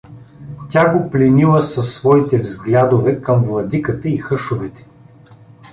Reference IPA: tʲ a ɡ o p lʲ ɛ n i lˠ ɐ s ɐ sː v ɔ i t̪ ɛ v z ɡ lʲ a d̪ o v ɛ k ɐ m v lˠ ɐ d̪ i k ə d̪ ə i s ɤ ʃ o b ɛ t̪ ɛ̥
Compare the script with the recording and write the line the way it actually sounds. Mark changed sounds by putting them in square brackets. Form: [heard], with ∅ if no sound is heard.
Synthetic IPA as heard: tʲ a ɡ o p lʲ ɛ n i lˠ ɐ s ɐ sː v ɔ i t̪ ɛ v z ɡ lʲ a d̪ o v ɛ k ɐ m v lˠ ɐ d̪ i k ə [t̪] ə i [x] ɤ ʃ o [v] ɛ t̪ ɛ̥